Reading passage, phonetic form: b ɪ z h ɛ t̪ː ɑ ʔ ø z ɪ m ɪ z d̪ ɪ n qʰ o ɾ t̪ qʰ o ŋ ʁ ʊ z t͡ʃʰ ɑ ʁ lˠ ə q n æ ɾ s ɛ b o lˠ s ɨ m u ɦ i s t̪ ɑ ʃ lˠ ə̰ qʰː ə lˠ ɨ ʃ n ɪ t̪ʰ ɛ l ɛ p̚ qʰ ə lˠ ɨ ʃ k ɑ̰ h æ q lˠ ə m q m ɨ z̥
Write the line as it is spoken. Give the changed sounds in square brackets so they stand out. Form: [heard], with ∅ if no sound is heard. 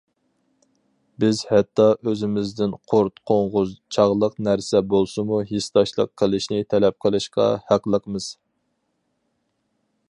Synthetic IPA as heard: b ɪ z h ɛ t̪ː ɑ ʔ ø z ɪ m ɪ z d̪ ɪ n qʰ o ɾ t̪ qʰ o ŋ ʁ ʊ z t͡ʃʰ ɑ ʁ lˠ ə q n æ ɾ s ɛ b o lˠ s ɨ m u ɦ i s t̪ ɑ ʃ lˠ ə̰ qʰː ə lˠ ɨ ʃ n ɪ t̪ʰ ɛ l ɛ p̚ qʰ ə lˠ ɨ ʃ [q] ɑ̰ h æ q lˠ ə [∅] q m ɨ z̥